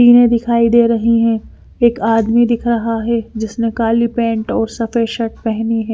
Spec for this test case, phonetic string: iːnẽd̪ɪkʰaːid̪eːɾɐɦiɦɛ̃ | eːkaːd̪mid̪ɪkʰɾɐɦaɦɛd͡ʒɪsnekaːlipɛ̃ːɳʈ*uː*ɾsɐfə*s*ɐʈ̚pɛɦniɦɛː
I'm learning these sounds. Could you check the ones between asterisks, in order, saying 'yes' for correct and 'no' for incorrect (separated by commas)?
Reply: no, no